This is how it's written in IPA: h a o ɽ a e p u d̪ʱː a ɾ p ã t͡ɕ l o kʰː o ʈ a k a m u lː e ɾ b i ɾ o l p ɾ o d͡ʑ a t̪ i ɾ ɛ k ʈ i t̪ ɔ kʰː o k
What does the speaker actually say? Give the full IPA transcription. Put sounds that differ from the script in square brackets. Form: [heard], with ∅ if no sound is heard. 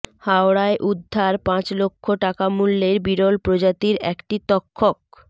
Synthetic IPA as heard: h a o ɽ a e [ʔ] u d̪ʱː a ɾ p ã t͡ɕ l o kʰː o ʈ a k a m u lː e ɾ b i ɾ o l p ɾ o d͡ʑ a t̪ i ɾ ɛ k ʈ i t̪ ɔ kʰː o k